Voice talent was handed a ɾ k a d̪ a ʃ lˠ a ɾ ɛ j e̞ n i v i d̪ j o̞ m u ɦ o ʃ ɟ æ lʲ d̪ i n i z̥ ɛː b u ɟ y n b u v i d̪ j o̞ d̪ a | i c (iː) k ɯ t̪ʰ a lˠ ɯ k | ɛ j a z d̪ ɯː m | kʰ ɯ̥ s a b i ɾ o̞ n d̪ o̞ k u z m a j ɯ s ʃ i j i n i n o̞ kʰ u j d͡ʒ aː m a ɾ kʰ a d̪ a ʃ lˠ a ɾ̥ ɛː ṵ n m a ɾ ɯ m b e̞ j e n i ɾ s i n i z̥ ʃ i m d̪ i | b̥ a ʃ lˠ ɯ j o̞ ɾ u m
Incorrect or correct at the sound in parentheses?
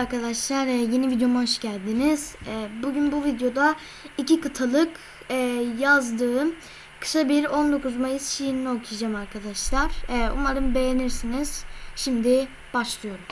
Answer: incorrect: i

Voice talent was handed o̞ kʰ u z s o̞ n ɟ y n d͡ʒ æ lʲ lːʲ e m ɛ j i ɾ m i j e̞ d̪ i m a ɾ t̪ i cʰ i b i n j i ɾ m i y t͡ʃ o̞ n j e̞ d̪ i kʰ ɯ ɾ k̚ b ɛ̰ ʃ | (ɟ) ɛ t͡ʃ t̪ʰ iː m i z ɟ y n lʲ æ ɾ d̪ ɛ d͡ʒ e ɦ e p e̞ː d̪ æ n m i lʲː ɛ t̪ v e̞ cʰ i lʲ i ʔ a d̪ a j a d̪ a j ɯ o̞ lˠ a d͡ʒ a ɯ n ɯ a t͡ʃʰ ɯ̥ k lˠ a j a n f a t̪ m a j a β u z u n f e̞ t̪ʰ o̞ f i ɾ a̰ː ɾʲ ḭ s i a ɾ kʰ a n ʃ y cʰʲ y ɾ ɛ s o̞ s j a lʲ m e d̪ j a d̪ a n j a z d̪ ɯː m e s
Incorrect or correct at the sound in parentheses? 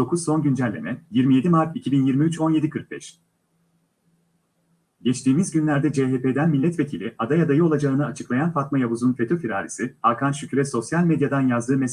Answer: correct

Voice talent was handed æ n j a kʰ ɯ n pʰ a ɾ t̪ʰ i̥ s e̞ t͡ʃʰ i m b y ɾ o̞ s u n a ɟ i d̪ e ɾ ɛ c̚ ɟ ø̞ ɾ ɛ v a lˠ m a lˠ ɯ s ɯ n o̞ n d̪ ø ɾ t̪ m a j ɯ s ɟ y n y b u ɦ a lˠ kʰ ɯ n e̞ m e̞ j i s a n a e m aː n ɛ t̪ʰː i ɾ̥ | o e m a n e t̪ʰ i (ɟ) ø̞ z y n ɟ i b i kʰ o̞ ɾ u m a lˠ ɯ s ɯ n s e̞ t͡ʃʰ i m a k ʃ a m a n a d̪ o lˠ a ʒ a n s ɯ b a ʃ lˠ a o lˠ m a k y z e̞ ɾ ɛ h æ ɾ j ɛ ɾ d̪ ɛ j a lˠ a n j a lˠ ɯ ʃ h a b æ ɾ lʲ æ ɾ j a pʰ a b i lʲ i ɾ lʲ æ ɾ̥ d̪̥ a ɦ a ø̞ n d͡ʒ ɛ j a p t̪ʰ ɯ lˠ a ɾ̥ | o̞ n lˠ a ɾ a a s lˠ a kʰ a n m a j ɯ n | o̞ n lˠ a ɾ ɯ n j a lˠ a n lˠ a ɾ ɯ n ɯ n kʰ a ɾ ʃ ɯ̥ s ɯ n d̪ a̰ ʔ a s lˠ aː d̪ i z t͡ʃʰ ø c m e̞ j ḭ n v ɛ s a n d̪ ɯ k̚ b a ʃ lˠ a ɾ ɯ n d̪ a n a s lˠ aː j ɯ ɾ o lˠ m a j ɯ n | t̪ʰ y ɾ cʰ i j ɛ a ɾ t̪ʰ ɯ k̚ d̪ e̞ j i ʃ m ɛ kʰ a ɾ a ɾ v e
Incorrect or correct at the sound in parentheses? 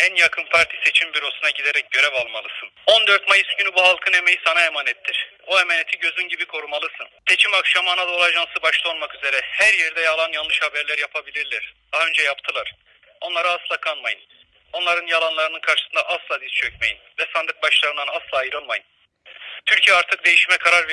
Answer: correct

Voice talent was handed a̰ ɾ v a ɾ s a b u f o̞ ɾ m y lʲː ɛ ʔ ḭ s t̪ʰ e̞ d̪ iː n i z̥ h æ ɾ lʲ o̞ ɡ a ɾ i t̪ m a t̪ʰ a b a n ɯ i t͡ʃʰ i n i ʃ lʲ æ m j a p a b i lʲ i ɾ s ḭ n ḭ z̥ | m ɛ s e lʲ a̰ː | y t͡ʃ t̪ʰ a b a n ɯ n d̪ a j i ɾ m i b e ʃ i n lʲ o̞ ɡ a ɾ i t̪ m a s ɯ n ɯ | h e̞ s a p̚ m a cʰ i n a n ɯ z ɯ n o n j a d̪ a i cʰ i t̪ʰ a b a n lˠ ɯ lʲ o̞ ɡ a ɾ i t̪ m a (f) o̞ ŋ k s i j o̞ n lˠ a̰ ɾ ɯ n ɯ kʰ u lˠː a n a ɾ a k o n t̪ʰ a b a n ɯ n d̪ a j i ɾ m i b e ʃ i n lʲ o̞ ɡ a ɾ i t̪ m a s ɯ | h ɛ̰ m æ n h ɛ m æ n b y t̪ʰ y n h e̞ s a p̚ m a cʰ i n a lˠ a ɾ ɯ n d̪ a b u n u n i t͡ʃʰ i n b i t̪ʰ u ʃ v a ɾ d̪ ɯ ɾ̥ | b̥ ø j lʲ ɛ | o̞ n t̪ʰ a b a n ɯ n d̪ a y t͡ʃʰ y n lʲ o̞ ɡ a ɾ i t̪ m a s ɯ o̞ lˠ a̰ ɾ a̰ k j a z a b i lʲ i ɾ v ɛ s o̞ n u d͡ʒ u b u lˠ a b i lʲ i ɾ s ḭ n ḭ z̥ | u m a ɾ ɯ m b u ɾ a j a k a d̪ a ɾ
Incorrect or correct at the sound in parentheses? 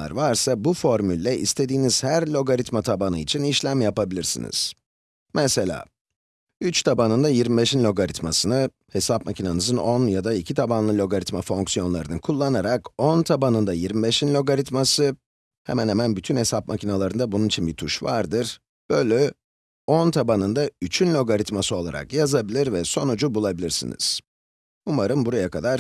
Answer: correct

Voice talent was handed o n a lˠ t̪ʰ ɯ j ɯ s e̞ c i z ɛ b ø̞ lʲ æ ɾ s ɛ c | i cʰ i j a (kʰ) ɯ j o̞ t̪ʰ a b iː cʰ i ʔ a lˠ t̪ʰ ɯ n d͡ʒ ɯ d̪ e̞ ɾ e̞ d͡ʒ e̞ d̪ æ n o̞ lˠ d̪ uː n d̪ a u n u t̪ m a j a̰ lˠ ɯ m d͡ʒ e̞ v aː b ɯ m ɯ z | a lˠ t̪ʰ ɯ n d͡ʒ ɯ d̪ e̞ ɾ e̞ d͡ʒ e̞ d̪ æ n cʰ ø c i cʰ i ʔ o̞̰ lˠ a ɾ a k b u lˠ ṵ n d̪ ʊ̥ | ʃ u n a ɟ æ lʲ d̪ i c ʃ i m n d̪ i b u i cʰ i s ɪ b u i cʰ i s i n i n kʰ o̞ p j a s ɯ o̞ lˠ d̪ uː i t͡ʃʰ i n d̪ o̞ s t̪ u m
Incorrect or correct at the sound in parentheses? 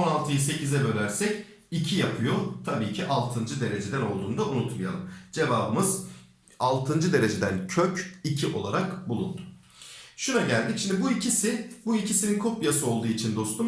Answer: incorrect: pʰ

